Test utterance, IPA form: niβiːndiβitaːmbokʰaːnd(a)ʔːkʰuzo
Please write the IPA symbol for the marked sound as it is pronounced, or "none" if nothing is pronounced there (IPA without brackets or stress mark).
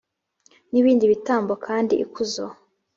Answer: i